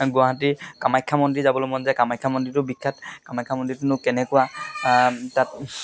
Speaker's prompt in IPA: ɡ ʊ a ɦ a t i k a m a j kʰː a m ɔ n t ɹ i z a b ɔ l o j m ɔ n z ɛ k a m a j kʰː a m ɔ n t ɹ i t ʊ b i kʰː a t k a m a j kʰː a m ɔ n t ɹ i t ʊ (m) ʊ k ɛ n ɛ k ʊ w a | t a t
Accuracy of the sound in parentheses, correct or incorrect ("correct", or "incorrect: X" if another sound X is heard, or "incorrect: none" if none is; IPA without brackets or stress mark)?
incorrect: n